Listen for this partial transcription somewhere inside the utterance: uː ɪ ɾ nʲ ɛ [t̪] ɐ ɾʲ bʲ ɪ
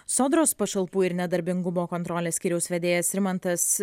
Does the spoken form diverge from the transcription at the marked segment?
yes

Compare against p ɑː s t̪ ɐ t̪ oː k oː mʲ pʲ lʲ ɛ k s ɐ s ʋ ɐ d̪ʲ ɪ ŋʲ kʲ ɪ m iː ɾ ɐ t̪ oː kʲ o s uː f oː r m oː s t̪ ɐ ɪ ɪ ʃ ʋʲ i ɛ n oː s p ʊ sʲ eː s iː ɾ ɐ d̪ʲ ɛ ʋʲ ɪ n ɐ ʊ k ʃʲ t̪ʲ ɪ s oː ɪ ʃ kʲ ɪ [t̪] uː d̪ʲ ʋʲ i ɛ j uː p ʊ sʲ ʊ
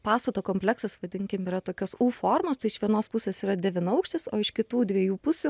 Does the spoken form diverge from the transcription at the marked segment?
no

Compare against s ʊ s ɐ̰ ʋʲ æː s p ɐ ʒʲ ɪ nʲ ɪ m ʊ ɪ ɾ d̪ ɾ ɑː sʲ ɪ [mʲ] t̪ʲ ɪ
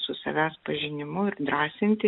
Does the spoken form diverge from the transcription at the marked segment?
yes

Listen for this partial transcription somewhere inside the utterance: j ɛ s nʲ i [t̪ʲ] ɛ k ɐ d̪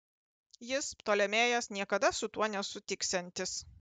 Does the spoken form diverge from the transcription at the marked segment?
yes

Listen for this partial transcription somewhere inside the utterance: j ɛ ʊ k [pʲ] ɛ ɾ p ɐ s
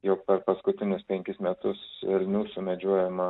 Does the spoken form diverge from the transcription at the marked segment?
no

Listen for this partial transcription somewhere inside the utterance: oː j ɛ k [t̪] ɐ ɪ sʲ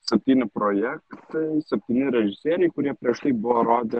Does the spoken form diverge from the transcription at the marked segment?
no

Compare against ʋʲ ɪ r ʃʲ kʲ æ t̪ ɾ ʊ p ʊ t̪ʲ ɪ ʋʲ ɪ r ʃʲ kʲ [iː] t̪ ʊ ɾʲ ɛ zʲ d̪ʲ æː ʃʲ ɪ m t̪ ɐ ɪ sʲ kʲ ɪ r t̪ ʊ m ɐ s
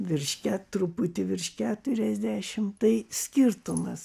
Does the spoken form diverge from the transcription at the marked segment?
yes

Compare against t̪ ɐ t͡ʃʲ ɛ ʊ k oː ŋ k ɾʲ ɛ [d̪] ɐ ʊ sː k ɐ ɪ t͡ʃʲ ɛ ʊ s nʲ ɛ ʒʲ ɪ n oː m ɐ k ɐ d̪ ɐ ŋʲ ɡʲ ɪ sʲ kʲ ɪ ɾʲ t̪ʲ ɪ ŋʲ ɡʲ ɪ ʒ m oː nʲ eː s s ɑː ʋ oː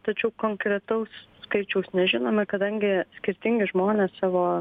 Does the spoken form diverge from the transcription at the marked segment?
yes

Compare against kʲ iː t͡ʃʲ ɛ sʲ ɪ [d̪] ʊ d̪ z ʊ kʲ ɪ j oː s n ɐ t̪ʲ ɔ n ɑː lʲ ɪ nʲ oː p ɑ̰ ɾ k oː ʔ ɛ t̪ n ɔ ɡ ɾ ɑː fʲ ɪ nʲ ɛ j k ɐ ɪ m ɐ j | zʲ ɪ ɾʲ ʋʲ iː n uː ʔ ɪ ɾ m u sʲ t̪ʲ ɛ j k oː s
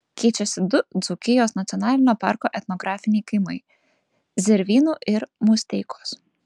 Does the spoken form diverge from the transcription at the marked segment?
no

